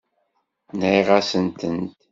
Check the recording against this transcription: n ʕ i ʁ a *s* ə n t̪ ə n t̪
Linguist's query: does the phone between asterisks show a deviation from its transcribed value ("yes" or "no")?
no